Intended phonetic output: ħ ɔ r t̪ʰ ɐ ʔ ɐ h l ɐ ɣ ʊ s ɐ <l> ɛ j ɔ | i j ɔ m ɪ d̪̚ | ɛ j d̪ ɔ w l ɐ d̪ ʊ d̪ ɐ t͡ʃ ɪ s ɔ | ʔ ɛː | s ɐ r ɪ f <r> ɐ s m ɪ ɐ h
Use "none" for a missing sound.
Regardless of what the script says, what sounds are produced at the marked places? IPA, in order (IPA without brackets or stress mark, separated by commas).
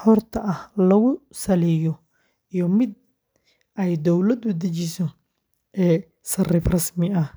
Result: l, r